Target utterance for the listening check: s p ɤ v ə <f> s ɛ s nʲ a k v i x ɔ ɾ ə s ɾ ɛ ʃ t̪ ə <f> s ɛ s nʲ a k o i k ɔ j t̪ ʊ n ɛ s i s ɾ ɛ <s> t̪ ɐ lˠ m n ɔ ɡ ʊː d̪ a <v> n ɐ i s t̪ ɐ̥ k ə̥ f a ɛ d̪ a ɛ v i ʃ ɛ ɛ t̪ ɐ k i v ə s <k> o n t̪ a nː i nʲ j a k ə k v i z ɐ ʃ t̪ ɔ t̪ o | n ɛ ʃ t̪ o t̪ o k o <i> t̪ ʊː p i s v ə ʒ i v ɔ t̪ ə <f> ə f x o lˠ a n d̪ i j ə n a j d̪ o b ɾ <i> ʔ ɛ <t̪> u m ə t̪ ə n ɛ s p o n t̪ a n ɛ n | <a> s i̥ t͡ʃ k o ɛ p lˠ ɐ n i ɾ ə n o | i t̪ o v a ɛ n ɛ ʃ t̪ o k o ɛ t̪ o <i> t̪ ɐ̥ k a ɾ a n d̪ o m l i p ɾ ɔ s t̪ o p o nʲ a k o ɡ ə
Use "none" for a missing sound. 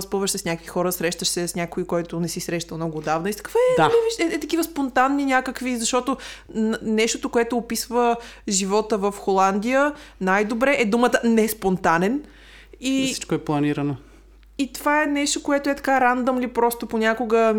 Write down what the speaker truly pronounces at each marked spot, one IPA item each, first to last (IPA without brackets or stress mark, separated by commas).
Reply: ʃ, ʃ, ʃ, v, p, ɛ, v, ɛ, d̪, i, ɛ